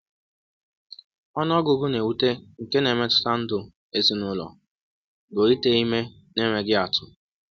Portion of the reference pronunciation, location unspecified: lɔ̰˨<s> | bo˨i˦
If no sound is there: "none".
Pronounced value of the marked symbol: none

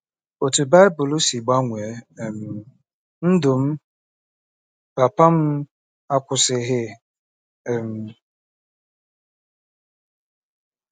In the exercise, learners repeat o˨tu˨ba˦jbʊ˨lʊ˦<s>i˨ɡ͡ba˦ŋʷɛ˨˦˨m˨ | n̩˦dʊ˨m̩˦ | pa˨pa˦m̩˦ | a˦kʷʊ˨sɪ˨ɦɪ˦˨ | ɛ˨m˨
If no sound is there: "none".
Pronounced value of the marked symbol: s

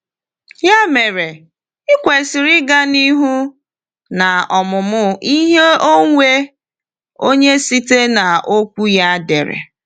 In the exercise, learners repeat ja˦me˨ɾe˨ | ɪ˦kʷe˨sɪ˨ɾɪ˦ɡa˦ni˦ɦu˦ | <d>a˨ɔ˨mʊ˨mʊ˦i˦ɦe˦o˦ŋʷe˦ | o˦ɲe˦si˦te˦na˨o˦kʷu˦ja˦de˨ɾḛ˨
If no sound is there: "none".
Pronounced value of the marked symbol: n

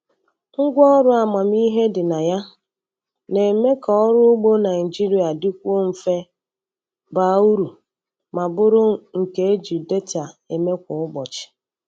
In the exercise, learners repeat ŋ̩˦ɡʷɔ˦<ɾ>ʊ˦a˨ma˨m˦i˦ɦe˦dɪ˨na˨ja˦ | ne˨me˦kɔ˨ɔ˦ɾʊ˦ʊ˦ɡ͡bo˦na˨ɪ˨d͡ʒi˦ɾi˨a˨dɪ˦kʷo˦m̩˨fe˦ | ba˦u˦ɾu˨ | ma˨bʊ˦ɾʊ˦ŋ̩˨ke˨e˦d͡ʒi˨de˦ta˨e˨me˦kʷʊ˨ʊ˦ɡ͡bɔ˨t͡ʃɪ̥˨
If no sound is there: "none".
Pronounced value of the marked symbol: ɾ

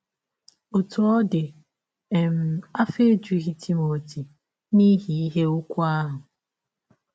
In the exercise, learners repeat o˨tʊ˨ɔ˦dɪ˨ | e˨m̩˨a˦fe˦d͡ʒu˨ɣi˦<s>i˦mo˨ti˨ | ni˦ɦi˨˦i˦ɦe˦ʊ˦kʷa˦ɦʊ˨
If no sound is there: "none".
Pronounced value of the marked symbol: t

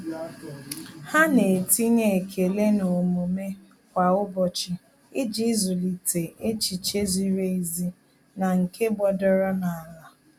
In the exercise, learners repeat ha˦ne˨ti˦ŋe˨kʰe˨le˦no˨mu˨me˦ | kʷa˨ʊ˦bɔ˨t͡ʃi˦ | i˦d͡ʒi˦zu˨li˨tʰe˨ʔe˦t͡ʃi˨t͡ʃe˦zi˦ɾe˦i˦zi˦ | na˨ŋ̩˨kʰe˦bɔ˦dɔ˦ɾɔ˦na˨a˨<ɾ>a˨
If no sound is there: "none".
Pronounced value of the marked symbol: l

